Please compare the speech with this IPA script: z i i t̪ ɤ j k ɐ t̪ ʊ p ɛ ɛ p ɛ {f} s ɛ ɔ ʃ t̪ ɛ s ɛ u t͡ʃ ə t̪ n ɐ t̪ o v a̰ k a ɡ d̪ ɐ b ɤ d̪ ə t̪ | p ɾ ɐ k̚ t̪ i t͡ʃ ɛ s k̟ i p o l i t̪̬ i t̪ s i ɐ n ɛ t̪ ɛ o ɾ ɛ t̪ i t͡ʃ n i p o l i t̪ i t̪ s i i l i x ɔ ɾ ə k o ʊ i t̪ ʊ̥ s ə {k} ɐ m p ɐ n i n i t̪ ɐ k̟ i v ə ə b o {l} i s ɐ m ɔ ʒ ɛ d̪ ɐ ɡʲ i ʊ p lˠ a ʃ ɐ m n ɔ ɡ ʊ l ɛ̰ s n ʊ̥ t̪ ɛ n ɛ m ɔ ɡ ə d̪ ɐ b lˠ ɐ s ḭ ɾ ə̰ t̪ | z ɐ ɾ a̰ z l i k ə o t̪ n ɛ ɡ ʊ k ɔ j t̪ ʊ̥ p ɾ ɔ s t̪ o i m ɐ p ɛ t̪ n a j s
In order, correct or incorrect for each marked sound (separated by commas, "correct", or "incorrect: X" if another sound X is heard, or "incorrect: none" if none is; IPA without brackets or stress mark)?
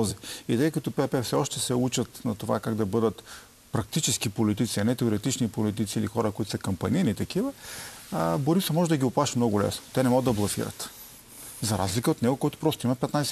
correct, correct, incorrect: ɾ